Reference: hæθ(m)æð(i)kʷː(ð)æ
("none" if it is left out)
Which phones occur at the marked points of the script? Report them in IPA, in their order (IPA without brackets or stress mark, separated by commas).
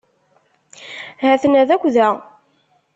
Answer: n, æ, ð